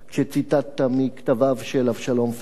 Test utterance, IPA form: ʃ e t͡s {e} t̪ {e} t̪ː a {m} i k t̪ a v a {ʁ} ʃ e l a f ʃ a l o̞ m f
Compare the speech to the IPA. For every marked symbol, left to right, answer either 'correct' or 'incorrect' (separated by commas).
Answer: incorrect, incorrect, correct, incorrect